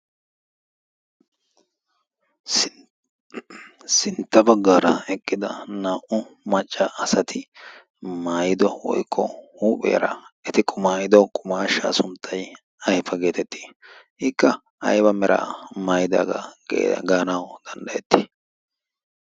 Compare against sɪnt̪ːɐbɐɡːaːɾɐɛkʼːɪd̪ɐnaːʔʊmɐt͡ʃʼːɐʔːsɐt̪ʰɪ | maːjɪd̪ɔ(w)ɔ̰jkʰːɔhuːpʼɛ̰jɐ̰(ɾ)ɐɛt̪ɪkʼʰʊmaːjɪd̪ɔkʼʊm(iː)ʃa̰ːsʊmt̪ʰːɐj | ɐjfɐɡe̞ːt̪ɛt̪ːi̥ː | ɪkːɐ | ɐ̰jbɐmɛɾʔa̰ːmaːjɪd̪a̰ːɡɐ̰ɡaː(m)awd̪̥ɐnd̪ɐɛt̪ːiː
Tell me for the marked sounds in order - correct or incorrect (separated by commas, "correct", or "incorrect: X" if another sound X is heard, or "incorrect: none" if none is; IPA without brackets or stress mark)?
correct, correct, incorrect: aː, incorrect: n